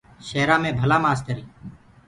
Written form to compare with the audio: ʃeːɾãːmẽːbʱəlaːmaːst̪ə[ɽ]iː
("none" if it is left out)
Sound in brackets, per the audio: ɾ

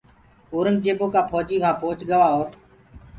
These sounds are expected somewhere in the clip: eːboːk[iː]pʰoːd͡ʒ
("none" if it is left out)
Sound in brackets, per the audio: aː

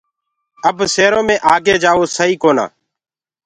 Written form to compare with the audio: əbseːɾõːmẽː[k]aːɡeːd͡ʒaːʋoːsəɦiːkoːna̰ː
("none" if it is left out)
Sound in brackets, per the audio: ʔ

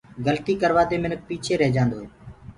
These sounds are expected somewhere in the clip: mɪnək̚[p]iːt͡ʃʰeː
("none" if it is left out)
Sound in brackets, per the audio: p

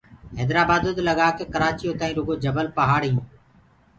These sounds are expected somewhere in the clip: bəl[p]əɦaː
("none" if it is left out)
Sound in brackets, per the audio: p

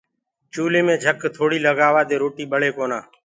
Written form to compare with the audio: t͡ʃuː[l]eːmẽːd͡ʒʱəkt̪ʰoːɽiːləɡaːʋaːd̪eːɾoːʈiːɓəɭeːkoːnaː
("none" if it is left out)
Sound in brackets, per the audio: l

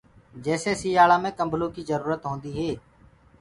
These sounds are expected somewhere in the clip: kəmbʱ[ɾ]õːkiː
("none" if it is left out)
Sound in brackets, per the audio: l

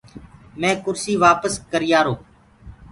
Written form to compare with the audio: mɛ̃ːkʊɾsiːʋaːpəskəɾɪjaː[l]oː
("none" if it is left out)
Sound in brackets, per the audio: ɾ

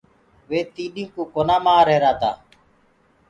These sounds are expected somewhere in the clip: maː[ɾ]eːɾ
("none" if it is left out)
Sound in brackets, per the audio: ɾ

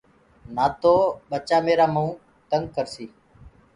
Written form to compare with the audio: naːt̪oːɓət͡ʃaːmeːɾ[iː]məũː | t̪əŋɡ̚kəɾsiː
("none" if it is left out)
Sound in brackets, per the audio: aː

